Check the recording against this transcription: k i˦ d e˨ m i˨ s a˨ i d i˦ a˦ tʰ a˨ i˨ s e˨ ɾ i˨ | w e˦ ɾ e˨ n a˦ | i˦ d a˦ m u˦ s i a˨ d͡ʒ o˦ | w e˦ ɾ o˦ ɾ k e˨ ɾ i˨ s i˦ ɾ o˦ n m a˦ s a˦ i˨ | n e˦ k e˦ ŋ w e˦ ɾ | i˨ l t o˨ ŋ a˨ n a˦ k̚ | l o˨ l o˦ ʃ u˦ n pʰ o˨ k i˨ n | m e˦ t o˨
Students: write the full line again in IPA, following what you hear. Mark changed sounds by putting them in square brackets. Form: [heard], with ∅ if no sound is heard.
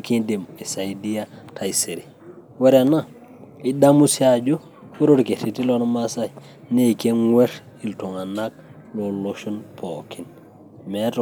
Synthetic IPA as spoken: k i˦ d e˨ m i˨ s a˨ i d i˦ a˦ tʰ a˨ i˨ s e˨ ɾ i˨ | w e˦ ɾ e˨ n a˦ | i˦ d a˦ m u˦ s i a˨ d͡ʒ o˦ | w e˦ ɾ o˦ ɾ k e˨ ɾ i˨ [t] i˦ [l] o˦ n m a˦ s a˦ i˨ | n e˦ k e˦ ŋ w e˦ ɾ | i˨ l t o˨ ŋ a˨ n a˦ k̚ | l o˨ l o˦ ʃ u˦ n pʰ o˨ k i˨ n | m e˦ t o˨